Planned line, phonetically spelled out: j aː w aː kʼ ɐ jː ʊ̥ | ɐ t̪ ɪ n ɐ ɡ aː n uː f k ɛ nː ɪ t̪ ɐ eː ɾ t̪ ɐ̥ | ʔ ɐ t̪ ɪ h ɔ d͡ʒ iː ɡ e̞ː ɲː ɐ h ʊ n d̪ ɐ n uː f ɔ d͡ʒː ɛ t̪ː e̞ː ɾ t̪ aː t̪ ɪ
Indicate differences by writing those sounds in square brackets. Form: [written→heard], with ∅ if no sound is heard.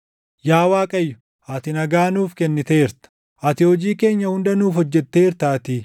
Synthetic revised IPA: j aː w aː kʼ ɐ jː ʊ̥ | ɐ t̪ ɪ n ɐ ɡ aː n uː f k ɛ nː ɪ t̪ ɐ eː ɾ t̪ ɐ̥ | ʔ ɐ t̪ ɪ h ɔ d͡ʒ iː [ɡ→k] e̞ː ɲː ɐ h ʊ n d̪ ɐ n uː f ɔ d͡ʒː ɛ t̪ː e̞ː ɾ t̪ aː t̪ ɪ

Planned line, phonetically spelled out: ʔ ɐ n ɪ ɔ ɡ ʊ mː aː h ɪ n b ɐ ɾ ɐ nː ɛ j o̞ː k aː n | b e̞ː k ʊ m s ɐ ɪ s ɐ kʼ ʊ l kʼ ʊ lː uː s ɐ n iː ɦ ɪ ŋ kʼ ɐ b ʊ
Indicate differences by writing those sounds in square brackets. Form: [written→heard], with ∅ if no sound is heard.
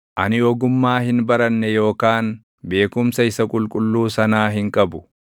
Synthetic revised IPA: ʔ ɐ n ɪ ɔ ɡ ʊ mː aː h ɪ n b ɐ ɾ ɐ nː ɛ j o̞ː k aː n | b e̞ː k ʊ m s ɐ ɪ s ɐ kʼ ʊ l kʼ ʊ lː uː s ɐ n [iː→aː] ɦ ɪ ŋ kʼ ɐ b ʊ

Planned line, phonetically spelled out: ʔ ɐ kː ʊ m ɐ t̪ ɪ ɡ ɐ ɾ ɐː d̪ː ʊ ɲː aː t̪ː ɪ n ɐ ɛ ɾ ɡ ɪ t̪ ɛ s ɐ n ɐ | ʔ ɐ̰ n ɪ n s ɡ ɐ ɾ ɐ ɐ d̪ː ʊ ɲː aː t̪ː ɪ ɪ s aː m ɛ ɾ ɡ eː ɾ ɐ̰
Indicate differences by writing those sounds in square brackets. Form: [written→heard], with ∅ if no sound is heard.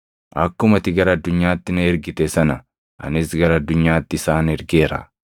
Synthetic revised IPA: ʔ ɐ kː ʊ m ɐ t̪ ɪ ɡ ɐ ɾ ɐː d̪ː ʊ ɲː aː t̪ː ɪ n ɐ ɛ ɾ ɡ ɪ t̪ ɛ s ɐ n ɐ | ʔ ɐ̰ n ɪ [n→∅] s ɡ ɐ ɾ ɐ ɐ d̪ː ʊ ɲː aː t̪ː ɪ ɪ s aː [m→n] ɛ ɾ ɡ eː ɾ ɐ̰

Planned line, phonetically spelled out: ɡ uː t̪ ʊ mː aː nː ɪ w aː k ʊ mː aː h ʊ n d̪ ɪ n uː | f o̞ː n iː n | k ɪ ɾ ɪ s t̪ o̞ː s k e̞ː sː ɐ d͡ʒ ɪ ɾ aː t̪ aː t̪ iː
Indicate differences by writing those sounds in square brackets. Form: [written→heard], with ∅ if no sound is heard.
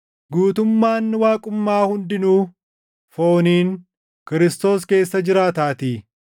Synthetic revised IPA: ɡ uː t̪ ʊ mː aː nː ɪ w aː [k→kʼ] ʊ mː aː h ʊ n d̪ ɪ n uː | f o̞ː n iː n | k ɪ ɾ ɪ s t̪ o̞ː s k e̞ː sː ɐ d͡ʒ ɪ ɾ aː t̪ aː t̪ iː

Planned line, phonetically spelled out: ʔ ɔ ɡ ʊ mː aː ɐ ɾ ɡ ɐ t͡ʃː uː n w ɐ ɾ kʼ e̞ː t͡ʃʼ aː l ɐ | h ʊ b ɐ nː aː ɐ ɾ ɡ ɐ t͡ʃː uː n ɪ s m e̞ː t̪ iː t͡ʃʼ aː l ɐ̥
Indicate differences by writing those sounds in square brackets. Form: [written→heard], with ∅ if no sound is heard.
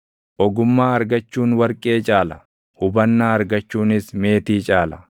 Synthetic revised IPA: ʔ ɔ ɡ ʊ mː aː ɐ ɾ ɡ ɐ t͡ʃː uː n w ɐ ɾ kʼ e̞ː t͡ʃʼ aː l ɐ | h ʊ b ɐ nː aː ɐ ɾ ɡ ɐ t͡ʃː uː n ɪ s m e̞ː t̪ iː t͡ʃʼ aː l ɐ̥

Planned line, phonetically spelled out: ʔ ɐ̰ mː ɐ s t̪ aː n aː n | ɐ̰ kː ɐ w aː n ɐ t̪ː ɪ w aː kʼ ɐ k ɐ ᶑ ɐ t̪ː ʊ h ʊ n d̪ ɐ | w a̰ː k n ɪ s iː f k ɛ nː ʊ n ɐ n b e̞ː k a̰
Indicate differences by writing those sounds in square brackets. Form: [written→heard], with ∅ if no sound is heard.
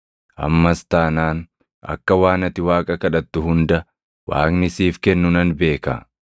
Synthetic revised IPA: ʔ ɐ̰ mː ɐ s t̪ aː n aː n | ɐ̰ kː ɐ w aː n ɐ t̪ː ɪ w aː kʼ ɐ k ɐ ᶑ ɐ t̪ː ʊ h ʊ n d̪ ɐ | w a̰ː k n ɪ s iː f k ɛ nː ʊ n ɐ n b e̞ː k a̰

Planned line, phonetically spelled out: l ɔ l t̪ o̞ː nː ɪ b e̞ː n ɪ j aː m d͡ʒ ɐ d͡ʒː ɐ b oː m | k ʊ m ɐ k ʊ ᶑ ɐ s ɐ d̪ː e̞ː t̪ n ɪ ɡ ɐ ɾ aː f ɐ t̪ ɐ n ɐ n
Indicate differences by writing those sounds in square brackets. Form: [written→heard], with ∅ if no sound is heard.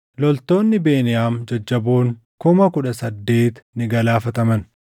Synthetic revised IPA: l ɔ l t̪ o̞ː nː ɪ b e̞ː n ɪ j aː m d͡ʒ ɐ d͡ʒː ɐ b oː [m→ŋ] | k ʊ m ɐ k ʊ ᶑ ɐ s ɐ d̪ː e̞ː t̪ n ɪ ɡ ɐ [ɾ→l] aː f ɐ t̪ ɐ [n→m] ɐ n

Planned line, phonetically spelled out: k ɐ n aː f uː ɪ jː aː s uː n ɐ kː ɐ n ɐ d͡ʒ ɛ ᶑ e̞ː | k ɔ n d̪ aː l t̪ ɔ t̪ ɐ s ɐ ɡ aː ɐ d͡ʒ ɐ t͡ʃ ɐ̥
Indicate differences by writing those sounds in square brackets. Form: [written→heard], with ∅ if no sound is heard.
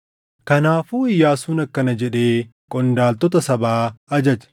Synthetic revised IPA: k ɐ n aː f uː ɪ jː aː s uː n ɐ kː ɐ n ɐ d͡ʒ ɛ ᶑ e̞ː | [k→kʼ] ɔ n d̪ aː l t̪ ɔ t̪ ɐ s ɐ [ɡ→b] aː ɐ d͡ʒ ɐ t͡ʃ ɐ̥

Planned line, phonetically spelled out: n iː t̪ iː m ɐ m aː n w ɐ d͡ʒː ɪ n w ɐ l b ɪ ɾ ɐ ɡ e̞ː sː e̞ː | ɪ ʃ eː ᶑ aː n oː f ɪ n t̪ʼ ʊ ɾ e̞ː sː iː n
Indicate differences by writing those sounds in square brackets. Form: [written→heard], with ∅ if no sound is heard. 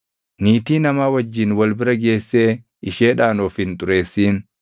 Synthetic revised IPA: n iː t̪ iː [m→n] ɐ m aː [n→∅] w ɐ d͡ʒː ɪ n w ɐ l b ɪ ɾ ɐ ɡ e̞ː sː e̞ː | ɪ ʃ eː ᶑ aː n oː f ɪ n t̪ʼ ʊ ɾ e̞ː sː iː n

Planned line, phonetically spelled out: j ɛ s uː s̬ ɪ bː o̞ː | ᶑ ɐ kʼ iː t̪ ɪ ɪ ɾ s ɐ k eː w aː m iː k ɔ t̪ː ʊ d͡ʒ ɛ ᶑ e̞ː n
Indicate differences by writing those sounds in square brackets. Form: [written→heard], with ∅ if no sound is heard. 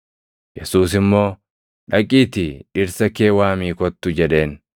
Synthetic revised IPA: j ɛ s uː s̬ ɪ [bː→mː] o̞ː | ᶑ ɐ kʼ iː t̪ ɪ ɪ ɾ s ɐ k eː w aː m iː k ɔ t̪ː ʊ d͡ʒ ɛ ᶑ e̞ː n

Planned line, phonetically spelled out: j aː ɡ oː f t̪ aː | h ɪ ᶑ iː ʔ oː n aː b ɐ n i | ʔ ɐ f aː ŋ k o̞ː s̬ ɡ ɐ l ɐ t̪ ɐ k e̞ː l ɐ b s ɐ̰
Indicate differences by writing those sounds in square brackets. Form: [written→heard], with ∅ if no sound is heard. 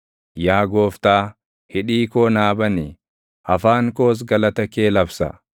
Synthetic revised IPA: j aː ɡ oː f t̪ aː | h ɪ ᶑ iː [ʔ→k] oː n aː b ɐ n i | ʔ ɐ f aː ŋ k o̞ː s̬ ɡ ɐ l ɐ t̪ ɐ k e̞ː l ɐ b s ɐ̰

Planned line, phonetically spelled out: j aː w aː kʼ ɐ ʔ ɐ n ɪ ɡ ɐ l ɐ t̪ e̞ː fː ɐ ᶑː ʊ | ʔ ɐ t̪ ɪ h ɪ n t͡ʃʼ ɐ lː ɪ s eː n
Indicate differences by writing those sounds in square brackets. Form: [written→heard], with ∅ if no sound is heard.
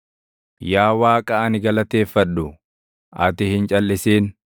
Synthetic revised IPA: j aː w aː kʼ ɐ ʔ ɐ n ɪ ɡ ɐ l ɐ t̪ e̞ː fː ɐ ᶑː ʊ | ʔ ɐ t̪ ɪ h ɪ n t͡ʃʼ ɐ lː ɪ s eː n

